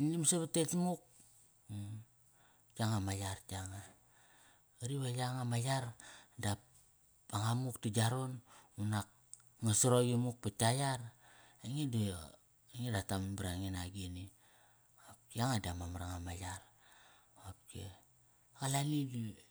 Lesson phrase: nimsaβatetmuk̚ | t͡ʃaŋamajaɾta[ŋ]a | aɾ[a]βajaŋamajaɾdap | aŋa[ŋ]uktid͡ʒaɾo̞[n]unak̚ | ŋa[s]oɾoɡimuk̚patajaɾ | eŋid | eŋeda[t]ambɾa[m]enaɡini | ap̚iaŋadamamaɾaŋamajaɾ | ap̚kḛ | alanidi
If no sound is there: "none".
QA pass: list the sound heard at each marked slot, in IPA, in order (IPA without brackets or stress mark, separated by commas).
ŋ, i, m, n, s, t, ŋ